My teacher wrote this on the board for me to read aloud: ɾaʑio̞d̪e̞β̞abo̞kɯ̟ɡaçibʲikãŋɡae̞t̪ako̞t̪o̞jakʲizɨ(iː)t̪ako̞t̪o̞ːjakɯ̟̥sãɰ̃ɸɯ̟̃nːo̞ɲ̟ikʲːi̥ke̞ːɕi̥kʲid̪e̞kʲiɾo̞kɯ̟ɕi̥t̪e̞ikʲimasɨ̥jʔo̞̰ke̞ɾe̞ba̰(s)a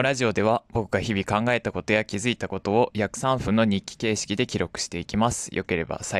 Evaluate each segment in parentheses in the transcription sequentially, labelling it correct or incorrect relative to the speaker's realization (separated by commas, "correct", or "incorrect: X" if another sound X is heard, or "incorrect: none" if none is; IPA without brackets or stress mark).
incorrect: i, correct